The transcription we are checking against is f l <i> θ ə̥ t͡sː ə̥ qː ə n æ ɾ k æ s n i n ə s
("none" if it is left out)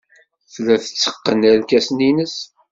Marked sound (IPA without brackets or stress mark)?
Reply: æ